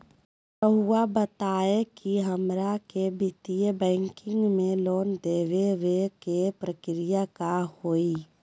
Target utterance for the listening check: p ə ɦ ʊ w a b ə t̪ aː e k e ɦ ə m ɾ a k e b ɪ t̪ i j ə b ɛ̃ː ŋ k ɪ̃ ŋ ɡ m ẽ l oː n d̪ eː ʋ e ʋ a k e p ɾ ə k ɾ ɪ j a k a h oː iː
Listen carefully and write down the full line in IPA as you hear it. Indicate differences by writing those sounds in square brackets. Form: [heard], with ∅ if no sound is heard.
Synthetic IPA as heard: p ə ɦ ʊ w a b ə t̪ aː e k [i] ɦ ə m ɾ a k e b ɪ t̪ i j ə b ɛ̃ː ŋ k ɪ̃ ŋ ɡ m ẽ l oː n d̪ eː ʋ e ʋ [e] k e p ɾ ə k ɾ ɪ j a k a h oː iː